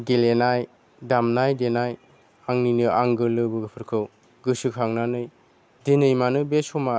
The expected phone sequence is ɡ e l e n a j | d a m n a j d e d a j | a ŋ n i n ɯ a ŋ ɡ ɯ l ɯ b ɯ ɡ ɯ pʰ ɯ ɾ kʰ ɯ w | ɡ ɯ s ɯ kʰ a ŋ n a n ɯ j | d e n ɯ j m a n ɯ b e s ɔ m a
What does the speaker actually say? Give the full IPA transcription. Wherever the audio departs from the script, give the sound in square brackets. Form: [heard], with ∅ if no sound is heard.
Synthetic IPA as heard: ɡ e l e n a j | d a m n a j d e [n] a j | a ŋ n i n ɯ a ŋ ɡ ɯ l ɯ b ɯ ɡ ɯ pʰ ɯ ɾ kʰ ɯ w | ɡ ɯ s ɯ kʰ a ŋ n a n ɯ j | d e n ɯ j m a n ɯ b e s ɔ m a

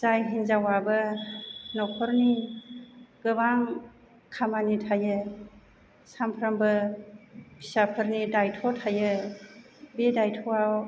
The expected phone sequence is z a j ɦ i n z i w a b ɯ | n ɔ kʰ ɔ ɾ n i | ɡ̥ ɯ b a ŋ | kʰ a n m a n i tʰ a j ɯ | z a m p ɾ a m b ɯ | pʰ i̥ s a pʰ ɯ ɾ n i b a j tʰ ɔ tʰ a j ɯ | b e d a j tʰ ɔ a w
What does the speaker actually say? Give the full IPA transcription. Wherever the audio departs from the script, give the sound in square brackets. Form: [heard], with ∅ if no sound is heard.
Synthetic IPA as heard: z a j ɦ i n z [a] w a b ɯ | n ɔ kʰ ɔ ɾ n i | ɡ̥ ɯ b a ŋ | kʰ a [∅] m a n i tʰ a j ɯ | [s] a m [pʰ] ɾ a m b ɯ | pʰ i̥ s a pʰ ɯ ɾ n i [d] a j tʰ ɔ tʰ a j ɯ | b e d a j tʰ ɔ a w

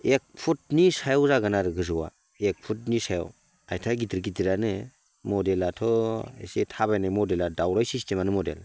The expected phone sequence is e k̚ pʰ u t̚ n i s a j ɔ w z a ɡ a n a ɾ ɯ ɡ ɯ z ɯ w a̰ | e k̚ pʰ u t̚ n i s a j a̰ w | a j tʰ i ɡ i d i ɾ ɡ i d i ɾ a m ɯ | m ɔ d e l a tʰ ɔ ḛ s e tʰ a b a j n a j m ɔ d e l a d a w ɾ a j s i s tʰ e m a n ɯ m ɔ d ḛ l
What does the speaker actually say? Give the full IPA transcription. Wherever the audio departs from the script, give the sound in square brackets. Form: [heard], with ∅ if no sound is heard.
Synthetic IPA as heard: e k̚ pʰ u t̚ n i s a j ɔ w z a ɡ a n a ɾ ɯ ɡ ɯ z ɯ w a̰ | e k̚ pʰ u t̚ n i s a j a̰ w | a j tʰ [a] ɡ i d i ɾ ɡ i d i ɾ a [n] ɯ | m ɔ d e l a tʰ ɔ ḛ s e tʰ a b a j n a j m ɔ d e l a d a w ɾ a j s i s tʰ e m a n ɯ m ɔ d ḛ l

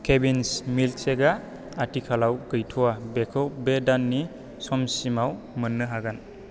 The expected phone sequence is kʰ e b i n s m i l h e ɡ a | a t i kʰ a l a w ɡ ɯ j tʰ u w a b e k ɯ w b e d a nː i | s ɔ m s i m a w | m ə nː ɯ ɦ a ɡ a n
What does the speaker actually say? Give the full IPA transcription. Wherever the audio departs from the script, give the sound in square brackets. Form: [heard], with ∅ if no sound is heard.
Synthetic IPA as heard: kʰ e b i n s m i l [s] e ɡ a | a t i kʰ a l a w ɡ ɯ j tʰ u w a b e [kʰ] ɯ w b e d a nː i | s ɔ m s i m a w | m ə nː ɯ ɦ a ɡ a n

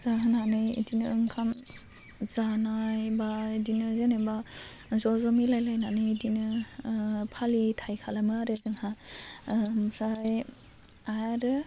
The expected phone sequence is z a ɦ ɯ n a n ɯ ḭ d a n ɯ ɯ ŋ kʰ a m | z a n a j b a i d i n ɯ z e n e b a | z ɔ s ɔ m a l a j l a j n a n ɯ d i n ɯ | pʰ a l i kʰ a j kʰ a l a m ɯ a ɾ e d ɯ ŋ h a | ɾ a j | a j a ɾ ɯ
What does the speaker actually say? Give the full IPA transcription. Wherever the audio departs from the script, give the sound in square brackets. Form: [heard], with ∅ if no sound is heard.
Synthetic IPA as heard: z a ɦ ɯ n a n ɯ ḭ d [i] n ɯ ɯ ŋ kʰ a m | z a n a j b a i d i n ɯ z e n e b a | z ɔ [z] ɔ m [i] l a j l a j n a n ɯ d i n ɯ | pʰ a l i [tʰ] a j kʰ a l a m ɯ a ɾ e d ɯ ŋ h a | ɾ a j | a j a ɾ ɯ

